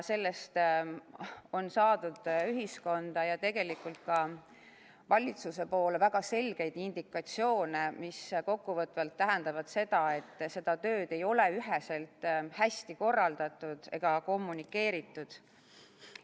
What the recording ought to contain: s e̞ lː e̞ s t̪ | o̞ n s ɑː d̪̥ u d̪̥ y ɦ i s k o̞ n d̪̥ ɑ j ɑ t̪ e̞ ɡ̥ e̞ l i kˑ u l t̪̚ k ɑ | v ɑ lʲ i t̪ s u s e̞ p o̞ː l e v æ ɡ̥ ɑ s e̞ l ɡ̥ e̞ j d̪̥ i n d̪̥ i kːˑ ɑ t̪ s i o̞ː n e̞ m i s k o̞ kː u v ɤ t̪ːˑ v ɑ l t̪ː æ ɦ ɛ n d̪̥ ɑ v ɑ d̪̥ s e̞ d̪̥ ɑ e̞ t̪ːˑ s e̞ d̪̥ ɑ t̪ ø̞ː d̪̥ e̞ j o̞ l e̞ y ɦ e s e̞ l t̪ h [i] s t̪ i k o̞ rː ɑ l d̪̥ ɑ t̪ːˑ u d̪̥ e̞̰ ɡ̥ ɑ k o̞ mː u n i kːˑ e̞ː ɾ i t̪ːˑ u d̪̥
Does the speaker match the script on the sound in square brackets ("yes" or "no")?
no